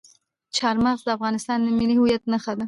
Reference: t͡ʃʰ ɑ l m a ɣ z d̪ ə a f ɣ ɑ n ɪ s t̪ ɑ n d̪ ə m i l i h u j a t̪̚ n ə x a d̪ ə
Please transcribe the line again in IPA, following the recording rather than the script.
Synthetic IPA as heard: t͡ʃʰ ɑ ɾ m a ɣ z d̪ ə a f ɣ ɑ n ɪ s t̪ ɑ n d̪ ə m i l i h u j a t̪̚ n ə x a d̪ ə